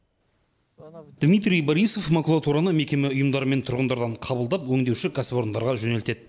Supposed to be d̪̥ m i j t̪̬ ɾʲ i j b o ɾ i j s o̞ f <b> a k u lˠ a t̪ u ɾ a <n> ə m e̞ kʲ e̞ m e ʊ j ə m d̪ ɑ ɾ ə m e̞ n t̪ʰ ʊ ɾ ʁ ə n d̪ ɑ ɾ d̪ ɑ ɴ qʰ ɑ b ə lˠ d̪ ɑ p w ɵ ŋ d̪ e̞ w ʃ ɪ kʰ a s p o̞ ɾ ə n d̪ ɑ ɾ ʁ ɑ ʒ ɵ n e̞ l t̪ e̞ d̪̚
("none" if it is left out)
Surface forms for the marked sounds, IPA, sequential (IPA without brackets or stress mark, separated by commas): m, n